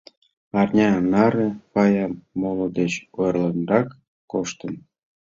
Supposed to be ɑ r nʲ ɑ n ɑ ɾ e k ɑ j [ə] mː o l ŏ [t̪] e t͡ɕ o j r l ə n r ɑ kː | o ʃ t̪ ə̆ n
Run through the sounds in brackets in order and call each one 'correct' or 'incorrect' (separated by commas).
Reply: incorrect, incorrect